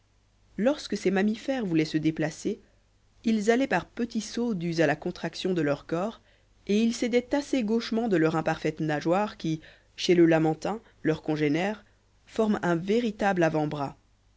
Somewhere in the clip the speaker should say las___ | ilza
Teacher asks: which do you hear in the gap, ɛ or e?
e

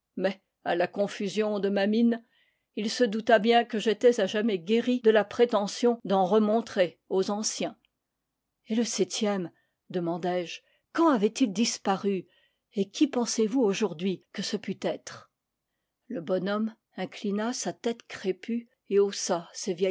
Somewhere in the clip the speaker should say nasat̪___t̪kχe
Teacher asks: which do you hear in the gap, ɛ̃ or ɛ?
ɛ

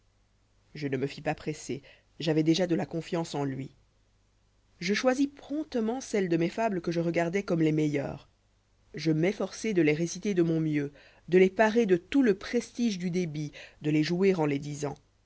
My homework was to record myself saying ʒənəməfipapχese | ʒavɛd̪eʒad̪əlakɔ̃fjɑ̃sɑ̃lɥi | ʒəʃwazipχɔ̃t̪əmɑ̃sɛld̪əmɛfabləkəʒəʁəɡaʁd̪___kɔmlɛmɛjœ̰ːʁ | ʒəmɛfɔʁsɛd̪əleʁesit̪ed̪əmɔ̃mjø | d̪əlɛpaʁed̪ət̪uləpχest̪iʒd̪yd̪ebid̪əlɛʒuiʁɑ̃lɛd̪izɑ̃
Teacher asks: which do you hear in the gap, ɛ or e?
ɛ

